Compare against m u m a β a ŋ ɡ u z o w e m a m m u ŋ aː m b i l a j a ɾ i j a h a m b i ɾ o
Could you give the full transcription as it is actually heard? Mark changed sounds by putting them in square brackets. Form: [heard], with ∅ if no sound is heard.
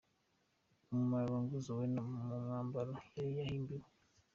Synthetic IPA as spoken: m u m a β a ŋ ɡ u z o w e [n] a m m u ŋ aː m b [a] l a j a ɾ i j a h [i] m b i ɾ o